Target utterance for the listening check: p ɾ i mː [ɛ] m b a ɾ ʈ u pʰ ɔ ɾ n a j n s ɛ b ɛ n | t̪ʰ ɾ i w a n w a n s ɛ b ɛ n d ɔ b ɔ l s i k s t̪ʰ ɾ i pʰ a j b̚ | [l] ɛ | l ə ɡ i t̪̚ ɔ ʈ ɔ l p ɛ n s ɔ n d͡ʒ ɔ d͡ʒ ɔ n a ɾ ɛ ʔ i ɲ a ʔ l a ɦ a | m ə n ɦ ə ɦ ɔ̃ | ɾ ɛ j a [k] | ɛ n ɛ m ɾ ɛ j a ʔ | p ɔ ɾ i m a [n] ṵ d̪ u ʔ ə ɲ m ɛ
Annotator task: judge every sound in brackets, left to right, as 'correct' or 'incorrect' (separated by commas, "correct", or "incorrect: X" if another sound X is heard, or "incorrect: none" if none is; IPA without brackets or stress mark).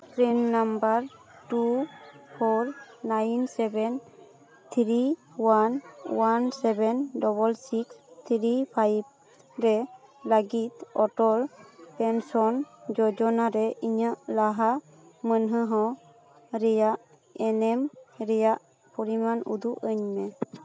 incorrect: a, incorrect: ɾ, incorrect: ʔ, correct